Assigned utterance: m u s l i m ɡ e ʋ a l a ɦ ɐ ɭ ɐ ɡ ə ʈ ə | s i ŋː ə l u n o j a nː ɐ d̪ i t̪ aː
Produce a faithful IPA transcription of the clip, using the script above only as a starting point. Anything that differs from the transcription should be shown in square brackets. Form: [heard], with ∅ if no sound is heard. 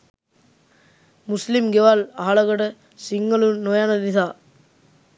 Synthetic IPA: m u s l i m ɡ e ʋ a l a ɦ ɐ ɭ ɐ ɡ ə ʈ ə | s i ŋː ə l u n o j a [n] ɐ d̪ i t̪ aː

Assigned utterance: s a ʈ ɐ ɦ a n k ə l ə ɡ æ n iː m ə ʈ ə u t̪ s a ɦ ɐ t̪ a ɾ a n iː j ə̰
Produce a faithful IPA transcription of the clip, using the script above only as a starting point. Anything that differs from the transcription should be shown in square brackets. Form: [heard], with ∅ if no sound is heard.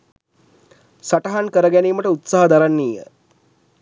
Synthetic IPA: s a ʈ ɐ ɦ a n k ə [ɾ] ə ɡ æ n iː m ə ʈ ə u t̪ s a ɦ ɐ [d̪] a ɾ a [nː] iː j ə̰

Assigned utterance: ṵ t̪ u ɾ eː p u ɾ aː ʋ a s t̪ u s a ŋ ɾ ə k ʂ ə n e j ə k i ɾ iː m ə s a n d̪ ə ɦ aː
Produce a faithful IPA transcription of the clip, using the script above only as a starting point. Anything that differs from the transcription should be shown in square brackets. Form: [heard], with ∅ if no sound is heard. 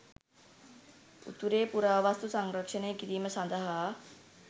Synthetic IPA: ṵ t̪ u ɾ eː p u ɾ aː ʋ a s t̪ u s a ŋ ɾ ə k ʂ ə n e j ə k i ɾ iː m ə s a n d̪ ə ɦ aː

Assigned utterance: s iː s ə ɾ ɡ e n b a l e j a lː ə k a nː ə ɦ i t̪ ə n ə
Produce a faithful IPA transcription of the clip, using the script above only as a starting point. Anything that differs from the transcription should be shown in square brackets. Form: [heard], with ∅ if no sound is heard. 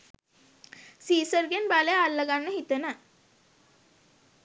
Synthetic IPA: s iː s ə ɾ ɡ e n b a l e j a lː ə [ɡ] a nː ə ɦ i t̪ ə n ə

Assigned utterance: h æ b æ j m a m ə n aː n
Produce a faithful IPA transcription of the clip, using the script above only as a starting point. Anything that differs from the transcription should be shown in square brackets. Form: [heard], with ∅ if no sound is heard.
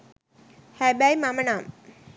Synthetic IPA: h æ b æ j m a m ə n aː [m]

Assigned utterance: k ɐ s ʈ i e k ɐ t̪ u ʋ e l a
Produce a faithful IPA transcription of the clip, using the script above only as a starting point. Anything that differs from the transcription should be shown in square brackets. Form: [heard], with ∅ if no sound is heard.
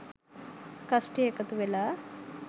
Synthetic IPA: k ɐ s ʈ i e k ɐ t̪ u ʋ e l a

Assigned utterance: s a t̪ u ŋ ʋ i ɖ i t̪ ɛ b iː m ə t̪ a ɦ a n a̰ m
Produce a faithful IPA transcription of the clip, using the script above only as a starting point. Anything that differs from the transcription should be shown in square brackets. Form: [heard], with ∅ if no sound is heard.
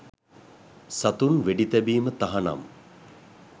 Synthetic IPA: s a t̪ u [n] ʋ [e] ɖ i t̪ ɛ b iː m ə t̪ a ɦ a n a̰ m

